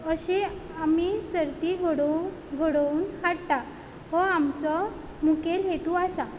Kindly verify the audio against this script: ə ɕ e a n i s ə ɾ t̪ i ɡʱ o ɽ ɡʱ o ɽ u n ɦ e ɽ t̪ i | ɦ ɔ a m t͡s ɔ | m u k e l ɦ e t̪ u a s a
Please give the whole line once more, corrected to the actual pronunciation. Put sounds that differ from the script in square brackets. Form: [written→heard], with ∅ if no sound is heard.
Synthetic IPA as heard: ə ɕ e a [n→m] i s ə ɾ t̪ i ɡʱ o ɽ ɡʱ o ɽ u n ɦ [e→a] ɽ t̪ [i→a] | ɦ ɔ a m t͡s ɔ | m u k e l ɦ e t̪ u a s a